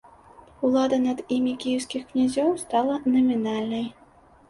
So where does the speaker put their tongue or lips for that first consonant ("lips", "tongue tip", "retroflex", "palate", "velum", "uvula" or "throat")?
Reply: tongue tip